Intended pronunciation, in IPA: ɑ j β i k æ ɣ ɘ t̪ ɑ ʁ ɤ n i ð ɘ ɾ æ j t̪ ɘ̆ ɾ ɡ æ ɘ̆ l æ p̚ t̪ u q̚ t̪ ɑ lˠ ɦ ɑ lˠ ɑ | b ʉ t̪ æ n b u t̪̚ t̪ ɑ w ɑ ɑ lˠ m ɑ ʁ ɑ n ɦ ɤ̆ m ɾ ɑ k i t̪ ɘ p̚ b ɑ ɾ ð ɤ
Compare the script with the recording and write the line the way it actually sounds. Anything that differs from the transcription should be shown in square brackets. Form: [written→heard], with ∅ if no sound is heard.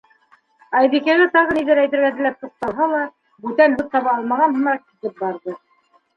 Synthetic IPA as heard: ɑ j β i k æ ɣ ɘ t̪ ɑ ʁ ɤ n i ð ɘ ɾ æ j t̪ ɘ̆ ɾ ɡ æ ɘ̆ l æ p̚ t̪ u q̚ t̪ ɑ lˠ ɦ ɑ lˠ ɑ | b ʉ t̪ æ n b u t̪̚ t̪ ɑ [w→β] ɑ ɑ lˠ m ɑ ʁ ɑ n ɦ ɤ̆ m ɾ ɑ k i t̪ ɘ p̚ b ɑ ɾ ð ɤ